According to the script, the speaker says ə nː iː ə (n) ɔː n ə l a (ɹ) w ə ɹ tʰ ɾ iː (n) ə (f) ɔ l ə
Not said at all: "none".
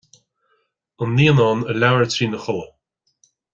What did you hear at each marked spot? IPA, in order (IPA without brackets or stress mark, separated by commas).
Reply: n, none, n, x